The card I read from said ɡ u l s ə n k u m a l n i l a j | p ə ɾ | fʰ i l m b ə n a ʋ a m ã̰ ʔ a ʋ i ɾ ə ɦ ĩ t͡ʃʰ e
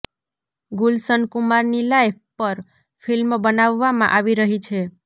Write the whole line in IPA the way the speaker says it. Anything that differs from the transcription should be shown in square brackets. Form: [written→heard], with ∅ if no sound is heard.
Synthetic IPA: ɡ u l s ə n k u m a [l→ɾ] n i l a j | p ə ɾ | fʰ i l m b ə n a [ʋ→ʋː] a m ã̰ ʔ a ʋ i ɾ ə ɦ [ĩ→i] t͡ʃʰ e